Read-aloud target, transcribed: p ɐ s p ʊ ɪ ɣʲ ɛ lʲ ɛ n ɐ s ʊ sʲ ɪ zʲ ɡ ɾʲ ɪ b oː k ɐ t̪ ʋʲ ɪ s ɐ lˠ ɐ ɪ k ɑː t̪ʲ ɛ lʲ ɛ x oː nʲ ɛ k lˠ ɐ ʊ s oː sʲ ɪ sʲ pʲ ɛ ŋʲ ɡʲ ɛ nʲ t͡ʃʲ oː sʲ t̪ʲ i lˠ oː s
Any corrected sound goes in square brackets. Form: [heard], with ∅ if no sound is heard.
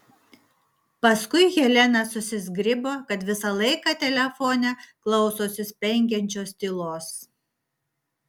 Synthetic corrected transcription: p ɐ s [k] ʊ ɪ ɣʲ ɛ lʲ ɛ n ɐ s ʊ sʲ ɪ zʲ ɡ ɾʲ ɪ b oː k ɐ t̪ ʋʲ ɪ s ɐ lˠ ɐ ɪ k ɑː t̪ʲ ɛ lʲ ɛ [f] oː nʲ ɛ k lˠ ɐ ʊ s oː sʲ ɪ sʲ pʲ ɛ ŋʲ ɡʲ ɛ nʲ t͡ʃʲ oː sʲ t̪ʲ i lˠ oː s

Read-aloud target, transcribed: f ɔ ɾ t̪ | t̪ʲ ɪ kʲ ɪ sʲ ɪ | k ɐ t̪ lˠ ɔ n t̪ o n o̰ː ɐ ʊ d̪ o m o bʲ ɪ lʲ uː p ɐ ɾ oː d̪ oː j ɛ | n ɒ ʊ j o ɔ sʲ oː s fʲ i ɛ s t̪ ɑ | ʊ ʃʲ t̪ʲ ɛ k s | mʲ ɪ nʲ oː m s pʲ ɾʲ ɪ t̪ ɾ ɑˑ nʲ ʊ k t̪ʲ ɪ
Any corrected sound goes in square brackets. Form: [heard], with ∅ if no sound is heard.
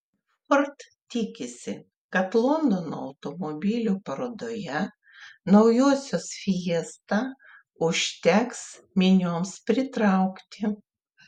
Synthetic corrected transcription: f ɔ ɾ t̪ | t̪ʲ ɪ kʲ ɪ sʲ ɪ | k ɐ t̪ lˠ ɔ n [d̪] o n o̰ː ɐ ʊ [t̪] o m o bʲ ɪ lʲ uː p ɐ ɾ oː d̪ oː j ɛ | n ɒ ʊ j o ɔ sʲ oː s fʲ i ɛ s t̪ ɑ | ʊ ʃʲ t̪ʲ ɛ k s | mʲ ɪ nʲ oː m s pʲ ɾʲ ɪ t̪ ɾ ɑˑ [∅] ʊ k t̪ʲ ɪ

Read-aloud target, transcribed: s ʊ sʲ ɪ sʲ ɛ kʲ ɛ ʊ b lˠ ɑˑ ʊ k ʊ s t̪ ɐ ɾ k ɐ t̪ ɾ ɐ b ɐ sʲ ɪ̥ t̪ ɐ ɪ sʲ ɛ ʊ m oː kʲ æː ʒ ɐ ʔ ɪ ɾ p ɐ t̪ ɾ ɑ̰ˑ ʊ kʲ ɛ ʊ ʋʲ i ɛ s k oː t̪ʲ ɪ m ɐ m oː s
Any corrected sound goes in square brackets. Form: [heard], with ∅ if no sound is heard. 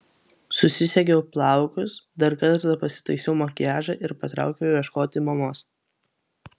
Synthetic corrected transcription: s ʊ sʲ ɪ sʲ ɛ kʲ ɛ ʊ [p] lˠ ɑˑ ʊ k ʊ s [d̪] ɐ ɾ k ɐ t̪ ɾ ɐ [p] ɐ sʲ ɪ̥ t̪ ɐ ɪ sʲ ɛ ʊ m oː kʲ æː ʒ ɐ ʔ ɪ ɾ p ɐ t̪ ɾ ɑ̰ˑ ʊ kʲ ɛ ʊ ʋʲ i ɛ [ʃ] k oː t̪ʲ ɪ m ɐ m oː s

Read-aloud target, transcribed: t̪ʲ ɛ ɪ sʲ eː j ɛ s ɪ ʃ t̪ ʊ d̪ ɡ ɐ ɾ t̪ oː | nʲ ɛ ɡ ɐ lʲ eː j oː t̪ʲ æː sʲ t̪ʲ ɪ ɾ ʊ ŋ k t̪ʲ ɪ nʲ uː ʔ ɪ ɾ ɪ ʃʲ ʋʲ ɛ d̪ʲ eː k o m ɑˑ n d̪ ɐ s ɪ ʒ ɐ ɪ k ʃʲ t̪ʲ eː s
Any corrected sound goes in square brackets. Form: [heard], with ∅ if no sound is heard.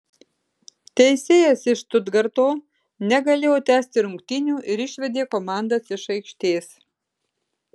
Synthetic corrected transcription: t̪ʲ ɛ ɪ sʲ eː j ɛ s ɪ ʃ t̪ ʊ d̪ ɡ ɐ ɾ t̪ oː | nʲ ɛ ɡ ɐ lʲ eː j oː t̪ʲ æː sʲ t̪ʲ ɪ ɾ ʊ ŋ k t̪ʲ ɪ nʲ uː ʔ ɪ ɾ ɪ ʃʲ ʋʲ ɛ d̪ʲ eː k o m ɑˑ n d̪ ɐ s ɪ [ʃ] ɐ ɪ k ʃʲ t̪ʲ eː s

